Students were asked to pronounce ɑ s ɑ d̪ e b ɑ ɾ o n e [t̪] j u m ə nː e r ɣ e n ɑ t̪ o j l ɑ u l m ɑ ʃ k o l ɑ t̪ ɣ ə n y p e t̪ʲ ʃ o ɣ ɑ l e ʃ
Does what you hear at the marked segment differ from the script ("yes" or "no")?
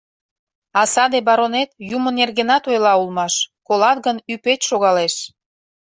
no